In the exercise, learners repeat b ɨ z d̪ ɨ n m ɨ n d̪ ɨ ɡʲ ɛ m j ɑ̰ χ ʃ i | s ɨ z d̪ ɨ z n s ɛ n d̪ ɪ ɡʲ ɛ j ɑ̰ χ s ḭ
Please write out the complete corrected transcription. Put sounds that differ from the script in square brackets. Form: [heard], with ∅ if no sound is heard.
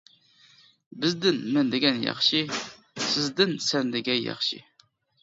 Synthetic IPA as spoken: b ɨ z d̪ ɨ n m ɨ n d̪ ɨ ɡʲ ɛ [n] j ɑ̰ χ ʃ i | s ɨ z d̪ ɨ [∅] n s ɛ n d̪ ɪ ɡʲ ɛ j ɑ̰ χ [ʃ] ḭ